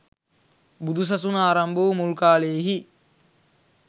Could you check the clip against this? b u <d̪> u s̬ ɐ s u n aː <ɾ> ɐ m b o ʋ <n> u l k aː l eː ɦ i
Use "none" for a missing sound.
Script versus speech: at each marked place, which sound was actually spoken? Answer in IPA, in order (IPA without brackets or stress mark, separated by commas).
d̪, ɾ, m